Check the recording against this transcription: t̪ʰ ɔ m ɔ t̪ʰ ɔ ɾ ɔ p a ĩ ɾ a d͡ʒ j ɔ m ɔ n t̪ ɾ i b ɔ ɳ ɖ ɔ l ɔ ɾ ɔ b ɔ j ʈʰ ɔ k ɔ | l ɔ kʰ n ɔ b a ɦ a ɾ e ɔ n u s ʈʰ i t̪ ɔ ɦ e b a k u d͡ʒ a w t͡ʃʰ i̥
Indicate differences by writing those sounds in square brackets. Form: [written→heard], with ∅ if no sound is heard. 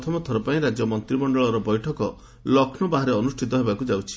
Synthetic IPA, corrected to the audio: t̪ʰ ɔ m ɔ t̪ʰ ɔ ɾ ɔ p a ĩ ɾ a d͡ʒ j ɔ m ɔ n t̪ ɾ i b ɔ ɳ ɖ ɔ [l→ɭ] ɔ ɾ ɔ b ɔ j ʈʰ ɔ k ɔ | l ɔ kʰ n ɔ b a ɦ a ɾ e ɔ n u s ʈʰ i t̪ ɔ ɦ e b a k u d͡ʒ a w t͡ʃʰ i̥